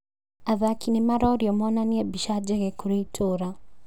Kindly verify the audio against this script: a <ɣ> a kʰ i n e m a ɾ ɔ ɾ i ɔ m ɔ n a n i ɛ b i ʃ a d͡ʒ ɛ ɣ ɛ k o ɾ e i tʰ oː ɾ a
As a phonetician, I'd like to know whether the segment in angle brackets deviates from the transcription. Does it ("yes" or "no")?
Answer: yes